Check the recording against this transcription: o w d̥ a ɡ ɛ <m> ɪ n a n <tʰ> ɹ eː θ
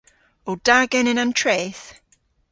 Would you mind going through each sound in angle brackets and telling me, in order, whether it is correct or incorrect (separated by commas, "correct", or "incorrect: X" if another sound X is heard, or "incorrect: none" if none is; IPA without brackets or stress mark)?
incorrect: n, correct